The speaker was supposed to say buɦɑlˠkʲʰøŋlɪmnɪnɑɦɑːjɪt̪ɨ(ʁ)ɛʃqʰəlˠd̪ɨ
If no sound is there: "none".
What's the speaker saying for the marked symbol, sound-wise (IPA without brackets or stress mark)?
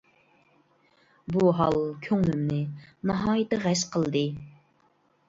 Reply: ʁ